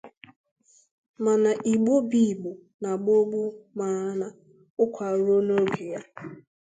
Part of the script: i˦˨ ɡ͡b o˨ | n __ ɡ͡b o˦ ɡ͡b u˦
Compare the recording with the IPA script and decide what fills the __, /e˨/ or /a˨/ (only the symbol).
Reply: a˨